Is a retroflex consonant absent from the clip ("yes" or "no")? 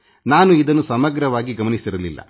yes